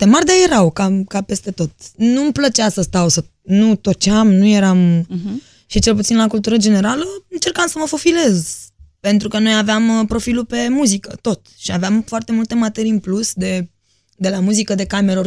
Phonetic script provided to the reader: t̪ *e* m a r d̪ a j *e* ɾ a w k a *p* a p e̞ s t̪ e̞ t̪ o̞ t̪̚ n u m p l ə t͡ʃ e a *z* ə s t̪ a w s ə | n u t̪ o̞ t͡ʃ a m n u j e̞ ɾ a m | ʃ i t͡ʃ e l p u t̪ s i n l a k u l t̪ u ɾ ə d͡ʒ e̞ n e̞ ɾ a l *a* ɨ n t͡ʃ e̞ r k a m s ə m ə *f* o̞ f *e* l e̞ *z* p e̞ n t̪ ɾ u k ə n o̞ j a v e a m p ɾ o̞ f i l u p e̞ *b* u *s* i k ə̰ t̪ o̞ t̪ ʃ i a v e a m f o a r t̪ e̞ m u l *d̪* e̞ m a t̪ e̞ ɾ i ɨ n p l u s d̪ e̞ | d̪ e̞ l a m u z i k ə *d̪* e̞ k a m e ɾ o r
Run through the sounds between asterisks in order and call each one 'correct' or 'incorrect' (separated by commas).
correct, correct, incorrect, incorrect, incorrect, correct, incorrect, correct, incorrect, incorrect, incorrect, correct